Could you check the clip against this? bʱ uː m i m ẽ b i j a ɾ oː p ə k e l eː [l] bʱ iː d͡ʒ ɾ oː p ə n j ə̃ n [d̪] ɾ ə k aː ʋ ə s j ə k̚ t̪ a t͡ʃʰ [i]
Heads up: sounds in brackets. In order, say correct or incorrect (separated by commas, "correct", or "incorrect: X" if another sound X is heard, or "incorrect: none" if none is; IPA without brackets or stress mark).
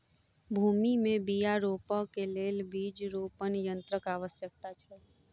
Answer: correct, incorrect: t̪, incorrect: ɛ